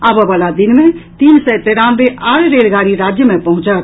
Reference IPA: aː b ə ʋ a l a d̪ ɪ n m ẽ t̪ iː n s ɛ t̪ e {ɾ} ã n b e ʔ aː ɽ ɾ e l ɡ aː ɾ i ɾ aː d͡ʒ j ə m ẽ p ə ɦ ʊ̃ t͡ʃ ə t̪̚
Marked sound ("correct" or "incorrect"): correct